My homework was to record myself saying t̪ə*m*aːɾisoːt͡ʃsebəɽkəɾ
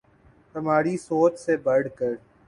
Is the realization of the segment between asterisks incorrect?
no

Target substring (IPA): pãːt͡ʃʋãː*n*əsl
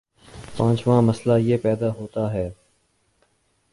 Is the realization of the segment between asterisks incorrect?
yes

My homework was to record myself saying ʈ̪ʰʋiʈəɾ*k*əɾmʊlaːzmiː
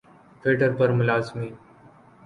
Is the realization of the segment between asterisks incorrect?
yes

